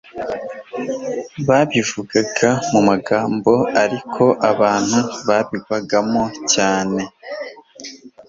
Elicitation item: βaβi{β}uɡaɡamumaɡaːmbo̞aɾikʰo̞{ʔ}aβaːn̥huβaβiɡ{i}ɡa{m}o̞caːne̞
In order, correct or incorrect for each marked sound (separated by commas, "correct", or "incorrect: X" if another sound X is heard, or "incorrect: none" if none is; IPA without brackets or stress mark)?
incorrect: v, correct, incorrect: a, correct